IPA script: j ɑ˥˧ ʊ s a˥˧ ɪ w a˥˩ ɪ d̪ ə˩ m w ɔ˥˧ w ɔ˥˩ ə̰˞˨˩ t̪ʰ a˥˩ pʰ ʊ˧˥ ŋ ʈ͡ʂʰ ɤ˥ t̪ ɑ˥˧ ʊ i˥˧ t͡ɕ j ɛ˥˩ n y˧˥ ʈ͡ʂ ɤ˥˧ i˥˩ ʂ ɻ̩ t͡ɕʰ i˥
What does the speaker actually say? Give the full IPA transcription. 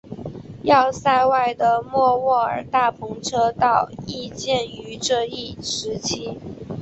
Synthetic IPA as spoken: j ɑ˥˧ ʊ s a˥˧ ɪ w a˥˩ ɪ d̪ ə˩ m w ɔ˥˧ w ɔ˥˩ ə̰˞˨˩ t̪ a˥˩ pʰ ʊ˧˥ ŋ ʈ͡ʂʰ ɤ˥ t̪ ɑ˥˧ ʊ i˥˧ t͡ɕ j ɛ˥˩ n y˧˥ ʈ͡ʂ ɤ˥˧ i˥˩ ʂ ɻ̩ t͡ɕʰ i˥

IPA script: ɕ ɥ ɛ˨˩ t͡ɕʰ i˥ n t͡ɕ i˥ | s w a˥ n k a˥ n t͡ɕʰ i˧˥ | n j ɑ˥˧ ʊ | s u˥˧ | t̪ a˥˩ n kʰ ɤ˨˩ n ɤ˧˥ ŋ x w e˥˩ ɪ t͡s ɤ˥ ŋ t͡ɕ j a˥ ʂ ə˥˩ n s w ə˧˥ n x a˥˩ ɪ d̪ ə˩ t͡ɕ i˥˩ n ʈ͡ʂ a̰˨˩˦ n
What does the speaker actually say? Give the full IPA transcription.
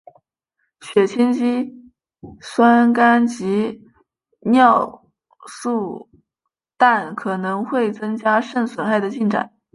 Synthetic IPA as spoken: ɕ ɥ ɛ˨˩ t͡ɕʰ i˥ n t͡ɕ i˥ | s w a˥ n k a˥ n t͡ɕ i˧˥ | n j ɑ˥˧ ʊ | s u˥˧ | t̪ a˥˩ n kʰ ɤ˨˩ n ɤ˧˥ ŋ x w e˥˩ ɪ t͡s ɤ˥ ŋ t͡ɕ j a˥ ʂ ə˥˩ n s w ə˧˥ n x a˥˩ ɪ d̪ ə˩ t͡ɕ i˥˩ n ʈ͡ʂ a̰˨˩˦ n

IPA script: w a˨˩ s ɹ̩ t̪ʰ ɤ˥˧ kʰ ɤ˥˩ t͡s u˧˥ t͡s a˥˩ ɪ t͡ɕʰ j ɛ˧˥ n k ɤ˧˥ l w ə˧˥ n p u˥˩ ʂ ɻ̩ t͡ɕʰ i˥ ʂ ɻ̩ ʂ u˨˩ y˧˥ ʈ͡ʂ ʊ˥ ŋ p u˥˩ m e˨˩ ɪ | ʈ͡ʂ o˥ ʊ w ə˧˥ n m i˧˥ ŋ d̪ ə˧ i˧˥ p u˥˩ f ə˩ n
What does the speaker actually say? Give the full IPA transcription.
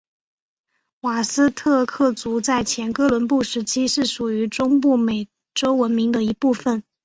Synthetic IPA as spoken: w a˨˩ s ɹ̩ t̪ʰ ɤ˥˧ kʰ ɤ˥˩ t͡s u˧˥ t͡s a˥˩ ɪ t͡ɕʰ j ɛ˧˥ n k ɤ˥ l w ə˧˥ n p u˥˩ ʂ ɻ̩ t͡ɕʰ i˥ ʂ ɻ̩ ʂ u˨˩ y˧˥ ʈ͡ʂ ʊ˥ ŋ p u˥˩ m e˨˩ ɪ | ʈ͡ʂ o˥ ʊ w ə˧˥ n m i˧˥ ŋ d̪ ə˧ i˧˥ p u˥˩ f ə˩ n

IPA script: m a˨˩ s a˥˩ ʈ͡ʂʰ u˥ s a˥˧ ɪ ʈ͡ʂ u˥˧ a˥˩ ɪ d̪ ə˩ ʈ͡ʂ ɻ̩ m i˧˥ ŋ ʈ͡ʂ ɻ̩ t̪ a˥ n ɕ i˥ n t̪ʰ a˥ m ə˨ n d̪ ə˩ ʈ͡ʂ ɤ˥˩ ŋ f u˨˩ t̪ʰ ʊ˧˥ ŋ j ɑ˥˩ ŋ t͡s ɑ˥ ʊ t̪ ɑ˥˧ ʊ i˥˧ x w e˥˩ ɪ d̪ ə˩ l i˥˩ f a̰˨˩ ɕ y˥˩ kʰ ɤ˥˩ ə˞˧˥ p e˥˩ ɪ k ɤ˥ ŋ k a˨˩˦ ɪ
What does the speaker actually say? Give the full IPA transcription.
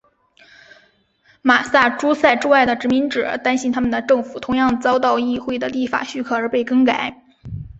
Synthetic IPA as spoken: m a˨˩ s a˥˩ ʈ͡ʂ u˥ s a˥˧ ɪ ʈ͡ʂ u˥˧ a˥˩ ɪ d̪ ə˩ ʈ͡ʂ ɻ̩ m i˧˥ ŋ ʈ͡ʂ ɻ̩ t̪ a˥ n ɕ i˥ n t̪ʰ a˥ m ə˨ n d̪ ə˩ ʈ͡ʂ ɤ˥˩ ŋ f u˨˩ t̪ʰ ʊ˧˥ ŋ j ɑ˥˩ ŋ t͡s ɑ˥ ʊ t̪ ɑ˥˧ ʊ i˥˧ x w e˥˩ ɪ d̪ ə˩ l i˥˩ f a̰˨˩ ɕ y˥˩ kʰ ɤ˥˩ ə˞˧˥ p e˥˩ ɪ k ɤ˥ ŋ k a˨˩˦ ɪ

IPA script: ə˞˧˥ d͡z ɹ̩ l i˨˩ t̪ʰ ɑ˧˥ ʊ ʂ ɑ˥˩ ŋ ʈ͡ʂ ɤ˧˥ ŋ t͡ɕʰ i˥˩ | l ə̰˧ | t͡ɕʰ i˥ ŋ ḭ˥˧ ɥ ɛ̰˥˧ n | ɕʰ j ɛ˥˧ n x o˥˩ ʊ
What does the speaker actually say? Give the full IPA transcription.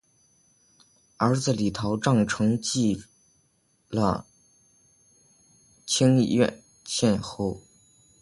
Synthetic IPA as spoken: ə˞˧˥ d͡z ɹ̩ l i˨˩ t̪ʰ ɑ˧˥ ʊ ʈ͡ʂ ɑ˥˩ ŋ ʈ͡ʂʰ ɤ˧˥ ŋ t͡ɕ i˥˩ | l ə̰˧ | t͡ɕʰ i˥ ŋ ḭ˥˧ ɥ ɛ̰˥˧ n | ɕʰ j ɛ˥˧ n x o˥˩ ʊ

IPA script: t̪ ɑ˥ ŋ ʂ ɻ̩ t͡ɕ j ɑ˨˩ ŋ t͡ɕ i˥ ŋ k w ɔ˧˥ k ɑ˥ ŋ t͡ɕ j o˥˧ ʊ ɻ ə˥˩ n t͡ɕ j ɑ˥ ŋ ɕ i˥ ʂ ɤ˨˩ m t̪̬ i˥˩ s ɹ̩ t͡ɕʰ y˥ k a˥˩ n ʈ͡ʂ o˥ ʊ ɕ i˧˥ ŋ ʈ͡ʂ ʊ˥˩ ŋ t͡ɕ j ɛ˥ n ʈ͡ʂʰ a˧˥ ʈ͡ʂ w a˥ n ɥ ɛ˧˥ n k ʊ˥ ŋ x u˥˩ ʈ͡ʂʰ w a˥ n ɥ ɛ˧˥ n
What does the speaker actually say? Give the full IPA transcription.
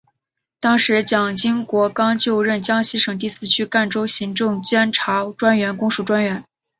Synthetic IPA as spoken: t̪ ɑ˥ ŋ ʂ ɻ̩ t͡ɕ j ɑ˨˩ ŋ t͡ɕ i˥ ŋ k w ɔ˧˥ k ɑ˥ ŋ t͡ɕ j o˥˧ ʊ ɻ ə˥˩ n t͡ɕ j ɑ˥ ŋ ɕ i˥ ʂ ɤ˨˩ ŋ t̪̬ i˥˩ s ɹ̩ t͡ɕʰ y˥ k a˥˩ n ʈ͡ʂ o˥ ʊ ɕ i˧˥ ŋ ʈ͡ʂ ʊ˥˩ ŋ t͡ɕ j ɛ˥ n ʈ͡ʂʰ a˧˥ ʈ͡ʂ w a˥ n ɥ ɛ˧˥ n k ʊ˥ ŋ ʂ u˥˩ ʈ͡ʂ w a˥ n ɥ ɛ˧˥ n

